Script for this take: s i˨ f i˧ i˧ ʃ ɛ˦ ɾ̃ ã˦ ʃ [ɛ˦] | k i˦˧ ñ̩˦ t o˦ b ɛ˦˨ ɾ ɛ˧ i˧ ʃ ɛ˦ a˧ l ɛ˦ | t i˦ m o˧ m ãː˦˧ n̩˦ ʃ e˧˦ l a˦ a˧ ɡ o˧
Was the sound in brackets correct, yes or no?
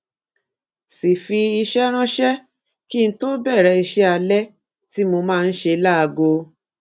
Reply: yes